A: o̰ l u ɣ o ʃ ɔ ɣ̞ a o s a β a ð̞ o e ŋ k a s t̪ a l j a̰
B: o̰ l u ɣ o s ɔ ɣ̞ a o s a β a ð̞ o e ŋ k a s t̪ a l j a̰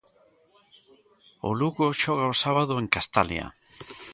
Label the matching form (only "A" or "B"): A